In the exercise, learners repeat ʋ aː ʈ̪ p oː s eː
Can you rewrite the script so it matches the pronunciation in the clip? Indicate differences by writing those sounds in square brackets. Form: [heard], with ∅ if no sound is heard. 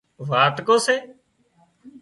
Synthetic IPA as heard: ʋ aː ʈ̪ [k] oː s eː